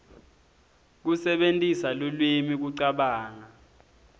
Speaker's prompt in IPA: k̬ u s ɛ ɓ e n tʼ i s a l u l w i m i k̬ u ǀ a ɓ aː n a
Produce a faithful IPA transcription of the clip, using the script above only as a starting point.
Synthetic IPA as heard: k̬ u s ɛ ɓ e n tʼ i s a l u l w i m i k̬ u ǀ a ɓ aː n a